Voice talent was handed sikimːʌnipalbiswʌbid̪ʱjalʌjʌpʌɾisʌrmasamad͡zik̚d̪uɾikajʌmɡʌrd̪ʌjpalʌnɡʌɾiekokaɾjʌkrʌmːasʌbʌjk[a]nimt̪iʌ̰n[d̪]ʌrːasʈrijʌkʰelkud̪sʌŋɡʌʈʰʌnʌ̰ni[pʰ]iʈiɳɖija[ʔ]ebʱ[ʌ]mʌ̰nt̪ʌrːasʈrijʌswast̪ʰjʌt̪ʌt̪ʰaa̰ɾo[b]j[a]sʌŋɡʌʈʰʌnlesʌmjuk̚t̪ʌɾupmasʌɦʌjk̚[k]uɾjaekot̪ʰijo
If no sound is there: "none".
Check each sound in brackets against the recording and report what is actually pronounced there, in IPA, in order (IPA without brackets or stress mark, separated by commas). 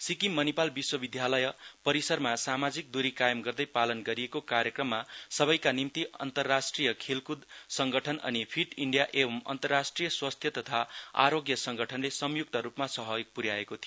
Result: a, t̪, pʰ, ʔ, ʌ, ɡ, ʌ, p